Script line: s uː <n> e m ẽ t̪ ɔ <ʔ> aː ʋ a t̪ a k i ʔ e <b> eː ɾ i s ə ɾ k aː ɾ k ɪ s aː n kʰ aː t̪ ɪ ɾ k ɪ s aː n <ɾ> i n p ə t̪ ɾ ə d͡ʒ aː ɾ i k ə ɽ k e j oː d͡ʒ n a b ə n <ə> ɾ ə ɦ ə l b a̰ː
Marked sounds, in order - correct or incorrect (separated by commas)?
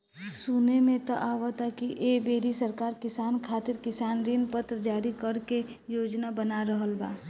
correct, correct, correct, correct, incorrect